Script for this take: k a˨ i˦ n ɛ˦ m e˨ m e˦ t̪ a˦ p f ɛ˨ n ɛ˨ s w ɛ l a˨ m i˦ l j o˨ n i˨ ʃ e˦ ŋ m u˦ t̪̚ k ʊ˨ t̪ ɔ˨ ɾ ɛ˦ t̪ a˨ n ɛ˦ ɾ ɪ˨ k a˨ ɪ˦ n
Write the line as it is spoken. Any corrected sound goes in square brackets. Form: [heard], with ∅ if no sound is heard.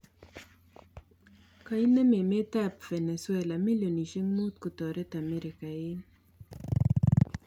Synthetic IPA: k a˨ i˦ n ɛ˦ m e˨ m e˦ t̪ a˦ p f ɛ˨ n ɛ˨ s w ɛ l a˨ m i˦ l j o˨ n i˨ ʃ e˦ ŋ m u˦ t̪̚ k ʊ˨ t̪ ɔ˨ ɾ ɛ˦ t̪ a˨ [m] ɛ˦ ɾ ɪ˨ k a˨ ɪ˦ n

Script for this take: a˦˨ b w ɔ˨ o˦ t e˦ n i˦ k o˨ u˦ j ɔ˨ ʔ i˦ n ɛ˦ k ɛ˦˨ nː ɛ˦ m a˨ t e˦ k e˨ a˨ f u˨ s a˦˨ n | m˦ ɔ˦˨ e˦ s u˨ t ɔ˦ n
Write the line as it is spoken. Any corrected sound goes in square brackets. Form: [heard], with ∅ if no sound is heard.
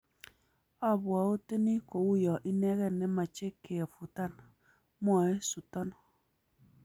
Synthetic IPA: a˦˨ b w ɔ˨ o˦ t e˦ n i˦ k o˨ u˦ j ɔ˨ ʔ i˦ n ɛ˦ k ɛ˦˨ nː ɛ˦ m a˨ [t͡ʃ] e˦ k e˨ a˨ f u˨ [t] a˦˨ n | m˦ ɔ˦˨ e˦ s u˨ t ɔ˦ n

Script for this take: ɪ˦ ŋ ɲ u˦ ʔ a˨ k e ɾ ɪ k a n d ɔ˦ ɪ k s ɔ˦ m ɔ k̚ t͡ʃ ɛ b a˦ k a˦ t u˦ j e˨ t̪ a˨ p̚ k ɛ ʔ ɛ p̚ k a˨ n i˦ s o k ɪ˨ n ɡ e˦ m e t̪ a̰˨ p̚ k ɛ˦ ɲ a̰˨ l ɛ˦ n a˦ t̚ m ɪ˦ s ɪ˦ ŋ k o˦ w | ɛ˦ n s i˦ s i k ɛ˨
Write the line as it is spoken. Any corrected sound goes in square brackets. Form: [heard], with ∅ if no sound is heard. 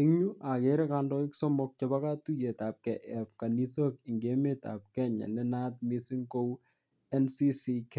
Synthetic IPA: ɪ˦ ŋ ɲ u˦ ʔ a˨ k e ɾ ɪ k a n d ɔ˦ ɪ k s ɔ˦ m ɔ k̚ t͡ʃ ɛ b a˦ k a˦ t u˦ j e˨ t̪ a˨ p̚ k ɛ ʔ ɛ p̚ k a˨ n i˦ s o k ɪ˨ [ŋ] ɡ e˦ m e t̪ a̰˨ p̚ k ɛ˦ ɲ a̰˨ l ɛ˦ n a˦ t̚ m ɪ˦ s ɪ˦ ŋ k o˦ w | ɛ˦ n s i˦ s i k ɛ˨

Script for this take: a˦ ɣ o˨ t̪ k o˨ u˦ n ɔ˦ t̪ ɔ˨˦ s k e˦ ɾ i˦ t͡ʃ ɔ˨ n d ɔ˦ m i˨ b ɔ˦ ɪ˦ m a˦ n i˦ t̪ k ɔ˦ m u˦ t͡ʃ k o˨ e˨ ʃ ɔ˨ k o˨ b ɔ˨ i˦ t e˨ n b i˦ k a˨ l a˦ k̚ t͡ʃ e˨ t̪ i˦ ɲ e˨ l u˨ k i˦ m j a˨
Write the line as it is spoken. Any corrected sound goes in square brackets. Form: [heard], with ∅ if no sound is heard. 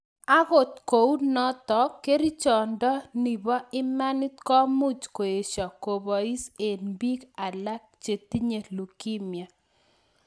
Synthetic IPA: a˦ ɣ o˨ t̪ k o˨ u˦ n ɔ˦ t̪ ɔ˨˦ [∅] k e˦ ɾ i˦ t͡ʃ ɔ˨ n d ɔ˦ [n] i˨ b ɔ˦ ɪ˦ m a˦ n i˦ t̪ k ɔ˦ m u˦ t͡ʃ k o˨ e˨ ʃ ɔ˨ k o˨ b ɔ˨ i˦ [s] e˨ n b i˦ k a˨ l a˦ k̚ t͡ʃ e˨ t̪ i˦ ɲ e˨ l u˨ k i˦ m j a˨

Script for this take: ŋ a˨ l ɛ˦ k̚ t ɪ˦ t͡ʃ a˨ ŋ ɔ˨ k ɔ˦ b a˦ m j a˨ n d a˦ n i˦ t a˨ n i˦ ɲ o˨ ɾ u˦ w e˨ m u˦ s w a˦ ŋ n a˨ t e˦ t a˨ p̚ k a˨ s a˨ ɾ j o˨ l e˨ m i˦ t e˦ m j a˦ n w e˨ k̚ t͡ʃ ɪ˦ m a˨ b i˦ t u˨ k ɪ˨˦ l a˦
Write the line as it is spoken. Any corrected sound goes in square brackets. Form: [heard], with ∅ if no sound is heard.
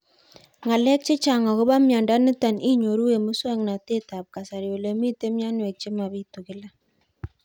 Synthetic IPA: ŋ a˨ l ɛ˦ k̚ [t͡ʃ] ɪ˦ t͡ʃ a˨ ŋ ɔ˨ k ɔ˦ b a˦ m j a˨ n d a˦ n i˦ t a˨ n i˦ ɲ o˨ ɾ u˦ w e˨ m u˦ s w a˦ ŋ n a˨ t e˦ t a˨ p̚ k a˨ s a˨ ɾ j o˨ l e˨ m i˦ t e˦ m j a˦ n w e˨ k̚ t͡ʃ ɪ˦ m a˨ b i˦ t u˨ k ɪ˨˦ l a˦

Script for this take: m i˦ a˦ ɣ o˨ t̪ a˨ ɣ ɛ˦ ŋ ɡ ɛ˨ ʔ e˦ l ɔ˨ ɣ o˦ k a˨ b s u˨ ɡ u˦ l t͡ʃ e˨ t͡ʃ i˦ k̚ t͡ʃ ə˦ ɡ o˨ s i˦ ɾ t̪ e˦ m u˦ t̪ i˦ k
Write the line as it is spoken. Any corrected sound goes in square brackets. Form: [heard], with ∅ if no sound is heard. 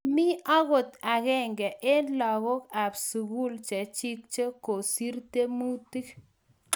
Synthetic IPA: m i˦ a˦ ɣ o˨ t̪ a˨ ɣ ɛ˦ ŋ ɡ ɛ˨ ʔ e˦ l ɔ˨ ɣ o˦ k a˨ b s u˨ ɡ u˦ l t͡ʃ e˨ t͡ʃ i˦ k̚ t͡ʃ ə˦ [k] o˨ s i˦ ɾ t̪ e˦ m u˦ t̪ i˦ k

